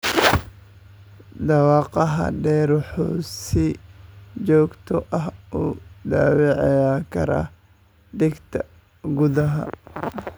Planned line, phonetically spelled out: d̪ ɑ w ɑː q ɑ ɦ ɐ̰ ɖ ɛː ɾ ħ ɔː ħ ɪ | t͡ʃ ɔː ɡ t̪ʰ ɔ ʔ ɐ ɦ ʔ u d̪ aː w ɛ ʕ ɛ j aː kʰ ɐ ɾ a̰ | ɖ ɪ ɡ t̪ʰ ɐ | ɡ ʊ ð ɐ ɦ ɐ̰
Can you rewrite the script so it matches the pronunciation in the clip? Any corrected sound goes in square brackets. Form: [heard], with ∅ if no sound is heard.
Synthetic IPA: d̪ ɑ w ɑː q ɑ ɦ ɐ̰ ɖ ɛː ɾ ħ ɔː [s] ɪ | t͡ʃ ɔː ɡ t̪ʰ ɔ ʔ ɐ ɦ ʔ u d̪ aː w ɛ ʕ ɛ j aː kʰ ɐ ɾ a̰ | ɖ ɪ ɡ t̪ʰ ɐ | ɡ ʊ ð ɐ ɦ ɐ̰